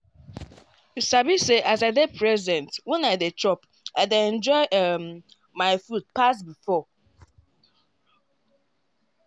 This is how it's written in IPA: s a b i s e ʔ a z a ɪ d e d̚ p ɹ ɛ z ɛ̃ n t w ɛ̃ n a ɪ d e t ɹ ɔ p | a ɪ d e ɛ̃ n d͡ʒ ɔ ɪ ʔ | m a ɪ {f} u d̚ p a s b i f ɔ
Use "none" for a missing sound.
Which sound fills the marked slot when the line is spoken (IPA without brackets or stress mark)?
f